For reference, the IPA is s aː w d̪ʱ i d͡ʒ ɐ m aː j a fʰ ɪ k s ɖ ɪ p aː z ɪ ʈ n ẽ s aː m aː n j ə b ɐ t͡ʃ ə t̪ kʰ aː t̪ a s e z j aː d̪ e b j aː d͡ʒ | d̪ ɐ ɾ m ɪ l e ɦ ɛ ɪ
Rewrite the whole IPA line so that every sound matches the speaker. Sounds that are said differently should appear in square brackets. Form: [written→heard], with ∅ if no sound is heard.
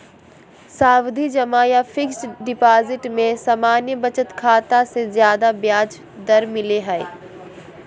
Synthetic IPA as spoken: s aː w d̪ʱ i d͡ʒ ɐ m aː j a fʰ ɪ k s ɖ ɪ p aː z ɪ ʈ [n→m] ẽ s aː m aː n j ə b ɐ t͡ʃ ə t̪ kʰ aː t̪ a s e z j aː d̪ [e→a] b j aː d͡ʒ | d̪ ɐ ɾ m ɪ l e ɦ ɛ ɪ